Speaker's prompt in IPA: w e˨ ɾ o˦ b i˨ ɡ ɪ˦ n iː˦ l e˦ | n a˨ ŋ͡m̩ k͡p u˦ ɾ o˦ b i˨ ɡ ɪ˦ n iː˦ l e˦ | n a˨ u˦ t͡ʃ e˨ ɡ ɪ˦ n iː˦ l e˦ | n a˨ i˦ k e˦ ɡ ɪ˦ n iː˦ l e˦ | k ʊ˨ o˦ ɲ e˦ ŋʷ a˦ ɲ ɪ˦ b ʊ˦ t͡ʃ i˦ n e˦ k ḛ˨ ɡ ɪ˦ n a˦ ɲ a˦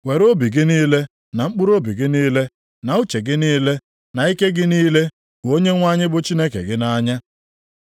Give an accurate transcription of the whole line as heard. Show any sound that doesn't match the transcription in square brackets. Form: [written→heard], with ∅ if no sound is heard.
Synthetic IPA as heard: w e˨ ɾ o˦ b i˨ ɡ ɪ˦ n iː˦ l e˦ | n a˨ ŋ͡m̩ k͡p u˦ ɾ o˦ b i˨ ɡ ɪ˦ n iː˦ l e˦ | n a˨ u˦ t͡ʃ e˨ ɡ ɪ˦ n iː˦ l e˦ | n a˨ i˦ k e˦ ɡ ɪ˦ n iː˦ l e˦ | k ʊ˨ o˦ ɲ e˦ ŋʷ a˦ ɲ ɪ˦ b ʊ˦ t͡ʃ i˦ n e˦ k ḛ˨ ɡ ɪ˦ n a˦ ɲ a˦